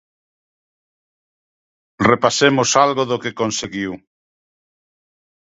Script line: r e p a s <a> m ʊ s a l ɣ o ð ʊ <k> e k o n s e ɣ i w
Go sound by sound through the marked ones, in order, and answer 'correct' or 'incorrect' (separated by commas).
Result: incorrect, correct